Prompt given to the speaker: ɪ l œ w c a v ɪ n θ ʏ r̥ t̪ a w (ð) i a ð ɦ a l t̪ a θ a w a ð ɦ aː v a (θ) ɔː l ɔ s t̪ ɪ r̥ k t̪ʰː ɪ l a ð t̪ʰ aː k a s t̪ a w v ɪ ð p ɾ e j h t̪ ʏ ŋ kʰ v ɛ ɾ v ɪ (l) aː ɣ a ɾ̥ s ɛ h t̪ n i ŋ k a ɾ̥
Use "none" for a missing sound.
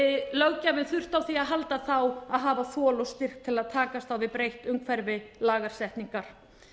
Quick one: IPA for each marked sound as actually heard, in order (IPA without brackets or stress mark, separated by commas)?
θ, θ, l